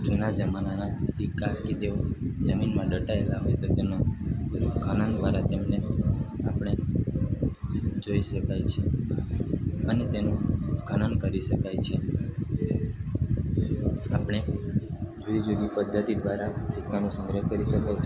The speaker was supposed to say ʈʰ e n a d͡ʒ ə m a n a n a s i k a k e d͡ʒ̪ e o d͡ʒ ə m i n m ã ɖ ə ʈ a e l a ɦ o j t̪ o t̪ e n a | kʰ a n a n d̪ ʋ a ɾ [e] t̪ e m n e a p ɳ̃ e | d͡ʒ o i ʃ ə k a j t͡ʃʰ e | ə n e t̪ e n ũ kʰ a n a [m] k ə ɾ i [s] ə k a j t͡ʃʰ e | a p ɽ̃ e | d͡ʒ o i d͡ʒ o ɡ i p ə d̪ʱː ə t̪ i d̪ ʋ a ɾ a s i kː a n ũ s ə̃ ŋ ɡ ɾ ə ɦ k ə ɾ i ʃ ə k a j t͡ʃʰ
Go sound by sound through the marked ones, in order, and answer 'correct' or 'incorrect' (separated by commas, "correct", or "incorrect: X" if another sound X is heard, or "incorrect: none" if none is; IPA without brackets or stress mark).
incorrect: a, incorrect: n, incorrect: ʃ